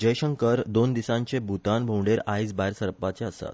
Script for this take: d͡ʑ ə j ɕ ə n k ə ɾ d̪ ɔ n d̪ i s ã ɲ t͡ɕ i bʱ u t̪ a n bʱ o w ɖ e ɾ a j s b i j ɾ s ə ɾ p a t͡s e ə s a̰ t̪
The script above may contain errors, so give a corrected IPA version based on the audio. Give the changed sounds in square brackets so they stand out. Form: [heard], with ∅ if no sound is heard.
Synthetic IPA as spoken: d͡ʑ ə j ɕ ə [ŋ] k ə ɾ d̪ [o] n d̪ i s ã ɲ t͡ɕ [e] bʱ u t̪ a n bʱ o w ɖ e ɾ a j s b [a] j ɾ s ə ɾ p a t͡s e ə s a̰ t̪